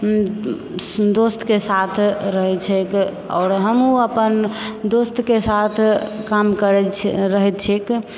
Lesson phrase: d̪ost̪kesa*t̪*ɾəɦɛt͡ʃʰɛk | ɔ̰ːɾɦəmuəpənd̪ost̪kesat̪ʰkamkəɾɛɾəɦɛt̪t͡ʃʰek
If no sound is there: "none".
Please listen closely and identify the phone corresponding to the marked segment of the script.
t̪ʰ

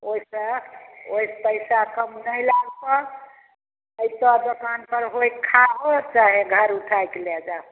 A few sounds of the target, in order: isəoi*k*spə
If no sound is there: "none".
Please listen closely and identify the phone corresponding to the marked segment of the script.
none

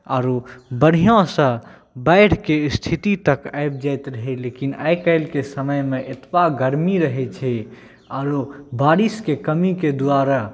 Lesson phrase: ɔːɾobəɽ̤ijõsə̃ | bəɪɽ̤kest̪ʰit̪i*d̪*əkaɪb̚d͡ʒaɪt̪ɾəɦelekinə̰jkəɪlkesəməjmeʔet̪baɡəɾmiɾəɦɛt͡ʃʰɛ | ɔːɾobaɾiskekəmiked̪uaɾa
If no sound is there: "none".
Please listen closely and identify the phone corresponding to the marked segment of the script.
t̪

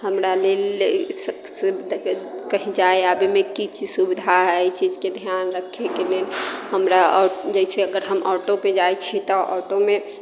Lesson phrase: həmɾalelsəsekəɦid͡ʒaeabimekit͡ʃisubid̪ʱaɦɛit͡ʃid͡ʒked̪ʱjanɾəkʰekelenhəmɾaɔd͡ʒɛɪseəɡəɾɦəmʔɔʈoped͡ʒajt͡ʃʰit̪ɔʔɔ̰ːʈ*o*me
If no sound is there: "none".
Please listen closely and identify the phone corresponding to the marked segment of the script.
o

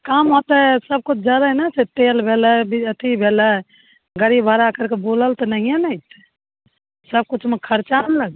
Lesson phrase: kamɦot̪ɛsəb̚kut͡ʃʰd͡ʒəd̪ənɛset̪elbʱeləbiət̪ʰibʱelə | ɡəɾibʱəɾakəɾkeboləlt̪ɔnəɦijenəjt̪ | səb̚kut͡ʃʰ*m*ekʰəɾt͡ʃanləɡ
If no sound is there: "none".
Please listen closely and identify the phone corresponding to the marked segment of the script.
m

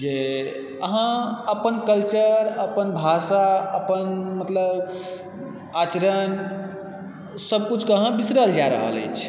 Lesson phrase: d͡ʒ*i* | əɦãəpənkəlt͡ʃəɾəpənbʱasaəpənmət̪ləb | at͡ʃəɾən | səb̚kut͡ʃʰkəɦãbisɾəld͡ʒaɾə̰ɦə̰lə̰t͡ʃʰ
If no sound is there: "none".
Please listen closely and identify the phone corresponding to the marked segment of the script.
e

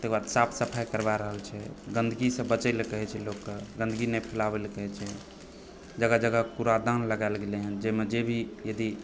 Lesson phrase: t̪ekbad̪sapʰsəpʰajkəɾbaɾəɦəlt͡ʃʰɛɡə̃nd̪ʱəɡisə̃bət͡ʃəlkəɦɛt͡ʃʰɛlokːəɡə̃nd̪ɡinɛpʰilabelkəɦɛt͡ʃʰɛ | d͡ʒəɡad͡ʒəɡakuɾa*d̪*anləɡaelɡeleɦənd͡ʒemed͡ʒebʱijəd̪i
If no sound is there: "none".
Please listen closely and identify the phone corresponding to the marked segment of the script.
d̪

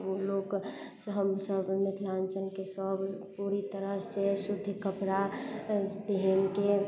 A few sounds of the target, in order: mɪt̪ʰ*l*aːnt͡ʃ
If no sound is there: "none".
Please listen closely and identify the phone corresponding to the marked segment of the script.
l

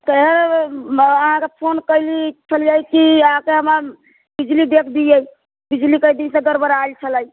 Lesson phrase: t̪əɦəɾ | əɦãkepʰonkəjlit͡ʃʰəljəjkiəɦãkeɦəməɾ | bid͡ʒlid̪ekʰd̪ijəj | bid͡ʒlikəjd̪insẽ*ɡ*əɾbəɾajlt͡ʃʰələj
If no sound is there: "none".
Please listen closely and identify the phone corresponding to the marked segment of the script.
ɡ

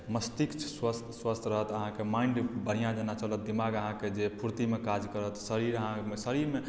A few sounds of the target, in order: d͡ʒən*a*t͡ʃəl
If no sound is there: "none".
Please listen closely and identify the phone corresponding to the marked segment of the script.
a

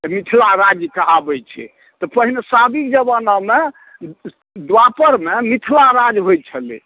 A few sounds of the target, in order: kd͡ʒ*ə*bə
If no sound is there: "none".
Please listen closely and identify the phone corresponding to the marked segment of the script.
ə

